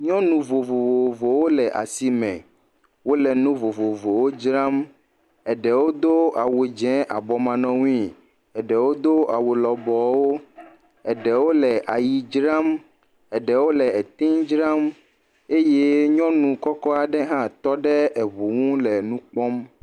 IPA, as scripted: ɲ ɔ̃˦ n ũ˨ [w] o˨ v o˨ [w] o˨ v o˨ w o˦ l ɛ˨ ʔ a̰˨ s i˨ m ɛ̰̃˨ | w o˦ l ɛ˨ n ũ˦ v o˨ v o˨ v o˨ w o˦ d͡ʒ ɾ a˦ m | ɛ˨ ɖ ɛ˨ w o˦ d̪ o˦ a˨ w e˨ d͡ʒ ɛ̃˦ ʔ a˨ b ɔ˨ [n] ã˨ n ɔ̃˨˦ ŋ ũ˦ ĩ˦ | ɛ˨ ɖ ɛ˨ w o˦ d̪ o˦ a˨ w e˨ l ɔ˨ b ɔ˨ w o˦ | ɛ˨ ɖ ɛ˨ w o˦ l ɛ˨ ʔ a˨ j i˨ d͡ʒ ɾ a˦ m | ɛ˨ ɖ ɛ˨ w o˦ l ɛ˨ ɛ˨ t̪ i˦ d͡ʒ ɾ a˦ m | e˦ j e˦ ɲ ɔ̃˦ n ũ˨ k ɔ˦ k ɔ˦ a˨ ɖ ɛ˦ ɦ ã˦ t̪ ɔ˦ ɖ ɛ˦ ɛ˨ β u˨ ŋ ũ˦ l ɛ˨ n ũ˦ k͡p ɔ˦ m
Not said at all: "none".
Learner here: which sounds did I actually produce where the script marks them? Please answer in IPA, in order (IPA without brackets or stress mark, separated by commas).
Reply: v, v, m